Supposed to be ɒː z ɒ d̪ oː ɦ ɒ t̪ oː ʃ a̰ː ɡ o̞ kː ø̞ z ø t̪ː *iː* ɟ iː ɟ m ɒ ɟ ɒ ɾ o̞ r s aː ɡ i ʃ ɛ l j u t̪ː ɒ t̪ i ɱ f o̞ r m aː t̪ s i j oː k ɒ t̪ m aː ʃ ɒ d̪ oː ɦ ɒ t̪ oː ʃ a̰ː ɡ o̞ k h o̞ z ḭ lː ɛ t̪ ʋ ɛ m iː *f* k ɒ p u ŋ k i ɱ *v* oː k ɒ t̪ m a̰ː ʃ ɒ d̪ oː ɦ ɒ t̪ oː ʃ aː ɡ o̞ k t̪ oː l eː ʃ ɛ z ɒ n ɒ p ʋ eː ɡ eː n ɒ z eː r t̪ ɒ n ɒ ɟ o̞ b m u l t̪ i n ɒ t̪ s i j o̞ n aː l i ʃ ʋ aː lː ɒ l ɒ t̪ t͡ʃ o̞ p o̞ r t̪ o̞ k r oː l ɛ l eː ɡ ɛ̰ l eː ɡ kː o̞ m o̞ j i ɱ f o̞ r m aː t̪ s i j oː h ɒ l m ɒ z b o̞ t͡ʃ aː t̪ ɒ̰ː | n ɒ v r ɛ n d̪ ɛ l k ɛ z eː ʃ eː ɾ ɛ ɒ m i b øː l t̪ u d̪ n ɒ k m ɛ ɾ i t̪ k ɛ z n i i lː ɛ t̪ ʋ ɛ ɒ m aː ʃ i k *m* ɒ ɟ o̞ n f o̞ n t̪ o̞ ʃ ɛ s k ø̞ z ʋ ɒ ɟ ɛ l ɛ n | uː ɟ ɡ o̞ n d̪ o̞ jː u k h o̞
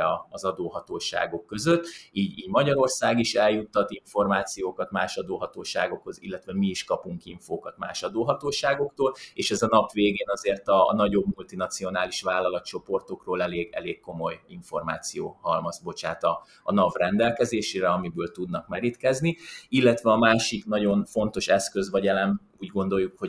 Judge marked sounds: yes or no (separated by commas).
yes, no, no, no